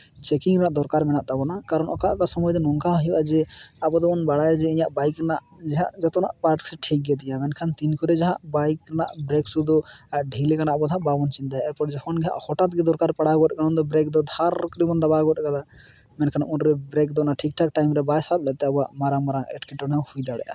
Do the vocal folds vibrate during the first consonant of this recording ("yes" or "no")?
no